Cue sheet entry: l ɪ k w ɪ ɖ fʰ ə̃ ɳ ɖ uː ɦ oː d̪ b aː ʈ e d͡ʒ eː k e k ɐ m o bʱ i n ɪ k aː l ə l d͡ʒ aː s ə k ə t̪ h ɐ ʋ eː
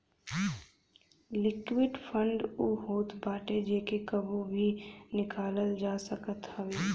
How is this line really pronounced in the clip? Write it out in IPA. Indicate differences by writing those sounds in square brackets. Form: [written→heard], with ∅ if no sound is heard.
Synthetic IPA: l ɪ k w ɪ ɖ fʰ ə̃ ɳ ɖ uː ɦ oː [d̪→t̪] b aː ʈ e d͡ʒ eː k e k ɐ [m→b] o bʱ i n ɪ k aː l ə l d͡ʒ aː s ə k ə t̪ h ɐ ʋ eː